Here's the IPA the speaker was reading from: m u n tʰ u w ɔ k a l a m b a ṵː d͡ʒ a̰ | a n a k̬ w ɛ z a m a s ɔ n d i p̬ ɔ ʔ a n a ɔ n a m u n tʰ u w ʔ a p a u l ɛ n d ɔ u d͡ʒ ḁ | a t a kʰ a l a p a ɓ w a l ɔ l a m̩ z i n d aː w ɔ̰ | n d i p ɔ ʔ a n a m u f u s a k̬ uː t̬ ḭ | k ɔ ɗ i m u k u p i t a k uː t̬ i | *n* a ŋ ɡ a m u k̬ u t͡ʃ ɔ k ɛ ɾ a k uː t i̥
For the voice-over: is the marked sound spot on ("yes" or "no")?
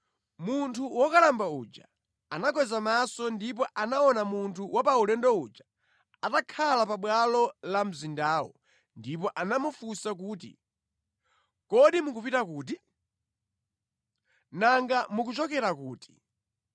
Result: yes